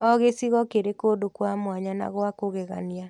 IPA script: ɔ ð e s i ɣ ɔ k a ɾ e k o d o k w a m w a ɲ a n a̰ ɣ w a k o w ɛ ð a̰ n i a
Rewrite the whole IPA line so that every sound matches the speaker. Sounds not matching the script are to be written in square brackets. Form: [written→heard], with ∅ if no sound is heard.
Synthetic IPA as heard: ɔ [ð→ɣ] e s i ɣ ɔ k [a→e] ɾ e k o d o k w a m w a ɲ a n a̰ ɣ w a k o [w→ɣ] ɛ [ð→ɣ] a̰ n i a

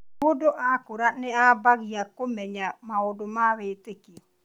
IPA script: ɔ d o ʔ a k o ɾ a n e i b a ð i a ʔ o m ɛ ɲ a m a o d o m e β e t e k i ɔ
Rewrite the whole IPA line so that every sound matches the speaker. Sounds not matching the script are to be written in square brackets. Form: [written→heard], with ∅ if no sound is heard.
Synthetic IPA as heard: [ɔ→o] d o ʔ a k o ɾ a n e [i→a] b a [ð→ɣ] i a [ʔ→k] o m ɛ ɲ a m a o d o m [e→a] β e t e k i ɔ

